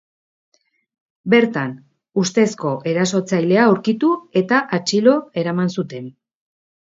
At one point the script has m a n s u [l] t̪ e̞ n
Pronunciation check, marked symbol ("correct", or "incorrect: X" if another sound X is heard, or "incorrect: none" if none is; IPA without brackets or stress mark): incorrect: none